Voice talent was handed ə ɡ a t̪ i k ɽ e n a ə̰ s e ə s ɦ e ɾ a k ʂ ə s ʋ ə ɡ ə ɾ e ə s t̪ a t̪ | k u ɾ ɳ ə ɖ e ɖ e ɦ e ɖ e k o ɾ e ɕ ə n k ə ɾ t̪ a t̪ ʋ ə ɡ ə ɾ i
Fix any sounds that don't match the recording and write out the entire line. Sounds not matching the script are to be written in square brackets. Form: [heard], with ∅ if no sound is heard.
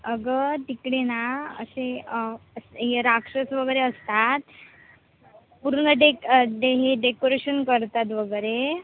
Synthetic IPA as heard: ə ɡ [ə] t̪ i k ɽ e n a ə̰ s e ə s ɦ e ɾ a k ʂ ə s ʋ ə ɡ ə ɾ e ə s t̪ a t̪ | [p] u ɾ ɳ ə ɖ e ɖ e ɦ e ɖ e k o ɾ e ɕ ə n k ə ɾ t̪ a t̪ ʋ ə ɡ ə ɾ [e]

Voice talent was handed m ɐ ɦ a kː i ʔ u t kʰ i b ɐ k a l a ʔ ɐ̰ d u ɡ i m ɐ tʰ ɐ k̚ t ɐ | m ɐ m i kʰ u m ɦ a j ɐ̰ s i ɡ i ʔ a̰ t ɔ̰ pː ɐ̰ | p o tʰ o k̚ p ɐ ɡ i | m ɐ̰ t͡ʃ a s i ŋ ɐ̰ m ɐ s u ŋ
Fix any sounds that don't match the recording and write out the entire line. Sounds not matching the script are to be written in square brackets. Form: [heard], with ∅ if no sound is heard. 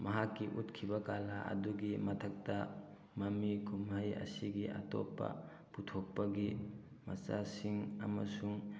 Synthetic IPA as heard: m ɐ ɦ a kː i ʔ u t kʰ i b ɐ k a l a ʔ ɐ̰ d u ɡ i m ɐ tʰ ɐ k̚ t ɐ | m ɐ m i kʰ u m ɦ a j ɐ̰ s i ɡ i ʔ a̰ t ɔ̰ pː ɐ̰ | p [u] tʰ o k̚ p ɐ ɡ i | m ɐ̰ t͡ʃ a s i ŋ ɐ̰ m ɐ s u ŋ

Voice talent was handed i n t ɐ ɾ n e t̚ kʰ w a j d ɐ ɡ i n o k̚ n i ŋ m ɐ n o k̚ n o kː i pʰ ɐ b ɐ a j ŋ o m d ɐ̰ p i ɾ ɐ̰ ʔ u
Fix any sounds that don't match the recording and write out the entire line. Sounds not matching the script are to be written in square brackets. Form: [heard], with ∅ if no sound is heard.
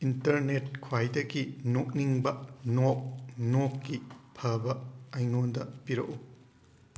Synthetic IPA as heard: i n t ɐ ɾ n e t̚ kʰ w a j d ɐ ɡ i n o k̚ n i ŋ [b] ɐ n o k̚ n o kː i pʰ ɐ b ɐ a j ŋ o [n] d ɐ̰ p i ɾ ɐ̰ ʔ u

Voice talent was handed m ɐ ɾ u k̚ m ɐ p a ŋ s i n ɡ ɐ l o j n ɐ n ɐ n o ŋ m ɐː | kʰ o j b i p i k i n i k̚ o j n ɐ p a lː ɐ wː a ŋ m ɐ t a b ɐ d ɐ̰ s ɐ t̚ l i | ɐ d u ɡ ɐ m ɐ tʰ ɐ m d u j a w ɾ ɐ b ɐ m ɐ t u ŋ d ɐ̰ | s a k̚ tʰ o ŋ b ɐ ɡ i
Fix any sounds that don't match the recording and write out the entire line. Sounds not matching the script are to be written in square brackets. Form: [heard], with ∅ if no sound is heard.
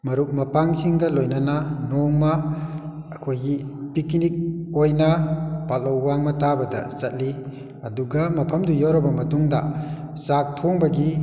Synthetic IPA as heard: m ɐ ɾ u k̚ m ɐ p a ŋ s i [ŋ] ɡ ɐ l o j n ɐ n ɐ n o ŋ m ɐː | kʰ o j [ɡ] i p i k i n i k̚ o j n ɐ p a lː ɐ wː a ŋ m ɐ t a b ɐ d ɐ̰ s ɐ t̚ l i | ɐ d u ɡ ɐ m ɐ [pʰ] ɐ m d u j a w ɾ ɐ b ɐ m ɐ t u ŋ d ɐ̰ | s a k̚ tʰ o ŋ b ɐ ɡ i

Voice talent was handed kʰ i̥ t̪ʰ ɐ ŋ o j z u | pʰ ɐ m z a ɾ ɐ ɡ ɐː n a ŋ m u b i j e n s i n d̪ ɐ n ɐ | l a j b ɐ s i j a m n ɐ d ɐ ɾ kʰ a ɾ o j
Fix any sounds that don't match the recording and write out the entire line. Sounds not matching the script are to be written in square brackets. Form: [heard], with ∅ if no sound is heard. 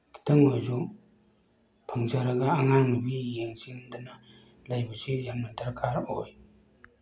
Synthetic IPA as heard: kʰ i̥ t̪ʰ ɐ ŋ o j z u | pʰ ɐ [ŋ] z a ɾ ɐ ɡ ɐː [ŋ] a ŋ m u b i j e [ŋ] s i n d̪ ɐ n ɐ | l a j b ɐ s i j a m n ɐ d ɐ ɾ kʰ a ɾ o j

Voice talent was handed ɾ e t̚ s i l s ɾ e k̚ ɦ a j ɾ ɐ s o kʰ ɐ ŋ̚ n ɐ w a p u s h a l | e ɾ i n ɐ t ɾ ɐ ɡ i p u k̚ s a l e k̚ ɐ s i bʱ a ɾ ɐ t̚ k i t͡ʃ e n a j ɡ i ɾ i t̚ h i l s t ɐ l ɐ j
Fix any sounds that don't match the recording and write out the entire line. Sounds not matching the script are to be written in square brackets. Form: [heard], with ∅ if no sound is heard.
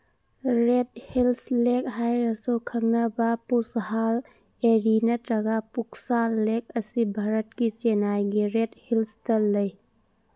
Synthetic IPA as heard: ɾ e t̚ [h] i l s [l] e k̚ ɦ a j ɾ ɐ s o kʰ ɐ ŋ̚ n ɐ [b] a p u s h a l | e ɾ i n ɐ t ɾ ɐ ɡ [a] p u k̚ s a l e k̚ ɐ s i bʱ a ɾ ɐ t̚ k i t͡ʃ e n a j ɡ i ɾ [e] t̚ h i l s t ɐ l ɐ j

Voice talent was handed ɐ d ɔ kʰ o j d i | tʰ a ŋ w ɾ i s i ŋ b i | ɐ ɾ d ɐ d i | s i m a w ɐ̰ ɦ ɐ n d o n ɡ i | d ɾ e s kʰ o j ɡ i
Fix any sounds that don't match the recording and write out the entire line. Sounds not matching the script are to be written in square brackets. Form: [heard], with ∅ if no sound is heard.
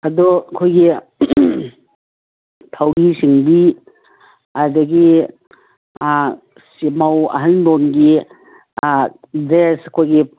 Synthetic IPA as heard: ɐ d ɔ kʰ o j [ɡ] i | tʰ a [∅] w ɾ i s i ŋ b i | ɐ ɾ d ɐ [ɡ] i | s i m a w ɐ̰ ɦ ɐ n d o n ɡ i | d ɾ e s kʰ o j ɡ i

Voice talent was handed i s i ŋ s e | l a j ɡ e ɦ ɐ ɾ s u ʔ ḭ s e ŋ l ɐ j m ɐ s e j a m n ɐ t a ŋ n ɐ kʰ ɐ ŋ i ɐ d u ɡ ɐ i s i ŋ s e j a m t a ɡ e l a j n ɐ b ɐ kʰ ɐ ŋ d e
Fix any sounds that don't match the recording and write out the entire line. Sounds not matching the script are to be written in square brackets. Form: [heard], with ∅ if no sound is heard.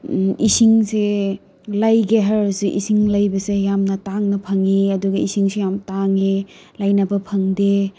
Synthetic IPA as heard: i s i ŋ s e | l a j ɡ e ɦ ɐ ɾ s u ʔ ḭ s [i] ŋ l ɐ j [b] ɐ s e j a m n ɐ t a ŋ n ɐ [pʰ] ɐ ŋ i ɐ d u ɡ ɐ i s i ŋ s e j a m t a [ŋ] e l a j n ɐ b ɐ [pʰ] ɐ ŋ d e

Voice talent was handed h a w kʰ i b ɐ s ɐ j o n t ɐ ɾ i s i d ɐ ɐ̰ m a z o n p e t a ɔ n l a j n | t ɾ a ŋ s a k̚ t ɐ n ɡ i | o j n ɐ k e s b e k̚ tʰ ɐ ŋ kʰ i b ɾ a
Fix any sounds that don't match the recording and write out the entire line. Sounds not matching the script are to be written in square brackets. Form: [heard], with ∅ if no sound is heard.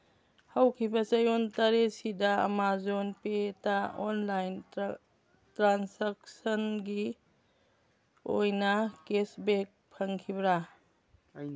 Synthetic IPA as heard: h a w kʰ i b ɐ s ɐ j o n t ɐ ɾ [e] s i d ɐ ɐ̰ m a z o n p e t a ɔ n l a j n | t ɾ a [n] s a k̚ [s] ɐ n ɡ i | o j n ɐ k e s b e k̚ [pʰ] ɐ ŋ kʰ i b ɾ a

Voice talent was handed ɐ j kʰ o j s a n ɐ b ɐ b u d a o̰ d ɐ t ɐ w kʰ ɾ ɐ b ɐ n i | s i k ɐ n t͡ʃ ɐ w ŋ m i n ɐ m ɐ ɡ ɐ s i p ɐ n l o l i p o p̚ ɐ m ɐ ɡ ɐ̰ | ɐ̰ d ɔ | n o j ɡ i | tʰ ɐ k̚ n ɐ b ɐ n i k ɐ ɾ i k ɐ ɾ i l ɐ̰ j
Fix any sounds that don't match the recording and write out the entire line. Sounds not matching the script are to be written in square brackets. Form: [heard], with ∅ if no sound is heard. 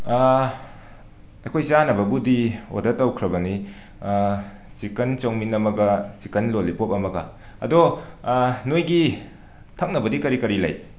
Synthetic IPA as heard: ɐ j kʰ o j s a n ɐ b ɐ b u d [i] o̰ d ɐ t ɐ w kʰ ɾ ɐ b ɐ n i | s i k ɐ n t͡ʃ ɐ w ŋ m i n ɐ m ɐ ɡ ɐ s i [k] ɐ n l o l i p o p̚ ɐ m ɐ ɡ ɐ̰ | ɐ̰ d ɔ | n o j ɡ i | tʰ ɐ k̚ n ɐ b ɐ [d] i k ɐ ɾ i k ɐ ɾ i l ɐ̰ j

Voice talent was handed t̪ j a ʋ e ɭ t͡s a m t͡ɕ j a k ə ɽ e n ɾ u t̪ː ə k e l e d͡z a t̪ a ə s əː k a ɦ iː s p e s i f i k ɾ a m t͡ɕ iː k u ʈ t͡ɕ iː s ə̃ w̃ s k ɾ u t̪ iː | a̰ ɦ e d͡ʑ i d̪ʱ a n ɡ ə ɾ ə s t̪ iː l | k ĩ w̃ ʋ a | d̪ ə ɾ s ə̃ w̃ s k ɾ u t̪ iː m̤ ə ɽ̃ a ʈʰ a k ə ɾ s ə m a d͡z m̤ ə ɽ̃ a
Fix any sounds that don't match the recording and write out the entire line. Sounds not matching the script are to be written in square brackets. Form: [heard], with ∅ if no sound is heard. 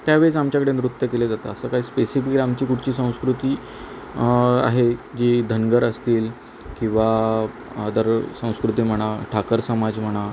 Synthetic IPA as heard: t̪ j a ʋ e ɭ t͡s a m t͡ɕ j a k ə ɽ e n ɾ u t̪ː ə k e l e d͡z a t̪ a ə s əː k a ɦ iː s p e s i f i k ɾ a m t͡ɕ iː k u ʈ t͡ɕ iː s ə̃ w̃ s k ɾ u t̪ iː | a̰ ɦ e d͡ʑ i d̪ʱ [ə] n ɡ ə ɾ ə s t̪ iː l | k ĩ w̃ ʋ a | d̪ ə ɾ s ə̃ w̃ s k ɾ u t̪ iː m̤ ə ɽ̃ a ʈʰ a k ə ɾ s ə m a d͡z m̤ ə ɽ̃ a

